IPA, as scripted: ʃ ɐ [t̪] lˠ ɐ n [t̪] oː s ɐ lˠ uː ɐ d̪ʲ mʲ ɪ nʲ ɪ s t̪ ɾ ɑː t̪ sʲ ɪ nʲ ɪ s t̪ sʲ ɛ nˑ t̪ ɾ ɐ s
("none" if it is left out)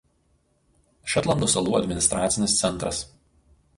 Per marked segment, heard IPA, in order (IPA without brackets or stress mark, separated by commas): t̪, d̪